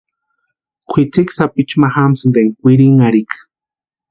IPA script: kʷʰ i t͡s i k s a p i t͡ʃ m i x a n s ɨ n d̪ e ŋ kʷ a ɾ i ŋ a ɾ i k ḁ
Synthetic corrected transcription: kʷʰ i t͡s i k s a p i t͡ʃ m a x a m s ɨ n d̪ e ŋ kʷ i ɾ i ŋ a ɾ i k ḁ